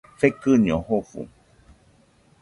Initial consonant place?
labial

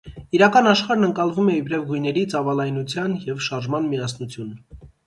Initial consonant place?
alveolar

